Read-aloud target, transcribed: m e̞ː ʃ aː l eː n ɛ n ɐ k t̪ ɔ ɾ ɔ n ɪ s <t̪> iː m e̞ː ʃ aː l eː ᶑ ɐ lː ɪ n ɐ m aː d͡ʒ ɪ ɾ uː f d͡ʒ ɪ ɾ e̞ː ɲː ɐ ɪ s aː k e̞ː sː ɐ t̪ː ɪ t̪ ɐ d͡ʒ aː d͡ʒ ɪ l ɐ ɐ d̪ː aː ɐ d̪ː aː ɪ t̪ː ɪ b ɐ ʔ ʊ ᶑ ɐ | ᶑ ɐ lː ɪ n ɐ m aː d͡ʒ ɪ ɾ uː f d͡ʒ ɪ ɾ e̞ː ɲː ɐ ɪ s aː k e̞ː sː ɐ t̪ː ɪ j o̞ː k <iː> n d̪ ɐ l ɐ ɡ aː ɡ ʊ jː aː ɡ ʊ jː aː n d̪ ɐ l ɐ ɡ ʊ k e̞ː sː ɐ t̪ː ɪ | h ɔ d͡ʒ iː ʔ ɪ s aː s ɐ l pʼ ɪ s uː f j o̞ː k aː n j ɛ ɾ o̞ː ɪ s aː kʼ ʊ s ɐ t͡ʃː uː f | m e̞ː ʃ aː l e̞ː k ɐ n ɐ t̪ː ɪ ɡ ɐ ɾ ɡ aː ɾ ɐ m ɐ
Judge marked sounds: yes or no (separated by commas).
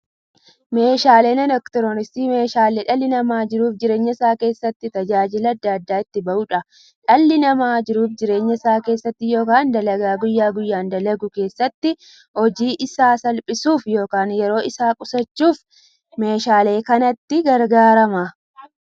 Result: yes, no